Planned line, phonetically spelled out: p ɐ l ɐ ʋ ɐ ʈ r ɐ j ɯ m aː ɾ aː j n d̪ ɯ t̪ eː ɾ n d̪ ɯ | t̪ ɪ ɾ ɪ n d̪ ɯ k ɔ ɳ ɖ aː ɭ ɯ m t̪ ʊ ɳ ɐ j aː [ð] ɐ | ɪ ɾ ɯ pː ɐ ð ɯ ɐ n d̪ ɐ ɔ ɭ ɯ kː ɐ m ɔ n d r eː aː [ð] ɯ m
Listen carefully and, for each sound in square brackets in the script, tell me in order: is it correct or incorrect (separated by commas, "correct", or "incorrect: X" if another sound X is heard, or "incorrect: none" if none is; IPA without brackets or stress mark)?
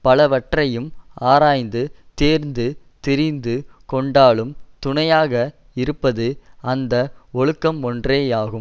incorrect: ɣ, incorrect: ɣ